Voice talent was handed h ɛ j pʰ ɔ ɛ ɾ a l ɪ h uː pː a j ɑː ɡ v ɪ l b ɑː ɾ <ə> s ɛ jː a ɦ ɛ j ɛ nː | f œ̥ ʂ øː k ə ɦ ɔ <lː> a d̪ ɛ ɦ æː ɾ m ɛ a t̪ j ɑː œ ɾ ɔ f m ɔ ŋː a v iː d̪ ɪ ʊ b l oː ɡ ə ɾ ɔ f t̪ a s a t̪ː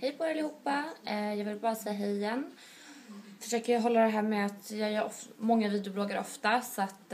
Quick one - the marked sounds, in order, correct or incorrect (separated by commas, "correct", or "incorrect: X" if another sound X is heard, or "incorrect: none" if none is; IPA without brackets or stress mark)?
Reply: incorrect: a, correct